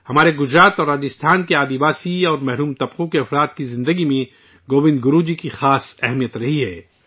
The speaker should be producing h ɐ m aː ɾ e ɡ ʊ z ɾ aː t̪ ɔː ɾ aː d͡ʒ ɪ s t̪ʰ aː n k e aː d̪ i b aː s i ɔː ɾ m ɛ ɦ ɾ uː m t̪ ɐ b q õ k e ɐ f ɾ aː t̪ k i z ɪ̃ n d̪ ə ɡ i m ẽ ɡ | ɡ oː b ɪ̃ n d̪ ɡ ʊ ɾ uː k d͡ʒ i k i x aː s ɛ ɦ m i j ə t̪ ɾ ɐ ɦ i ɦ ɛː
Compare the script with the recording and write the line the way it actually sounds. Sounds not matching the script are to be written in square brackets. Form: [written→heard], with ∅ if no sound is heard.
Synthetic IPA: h ɐ m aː ɾ e ɡ ʊ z ɾ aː t̪ ɔː ɾ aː d͡ʒ ɪ s t̪ʰ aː n k e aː d̪ i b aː s i ɔː ɾ m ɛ ɦ ɾ uː m t̪ ɐ b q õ k e ɐ f ɾ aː t̪ k i z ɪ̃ n d̪ ə ɡ i m ẽ [ɡ→∅] | ɡ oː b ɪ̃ n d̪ ɡ ʊ ɾ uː [k→∅] d͡ʒ i k i x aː s ɛ ɦ m i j ə t̪ ɾ ɐ ɦ i ɦ ɛː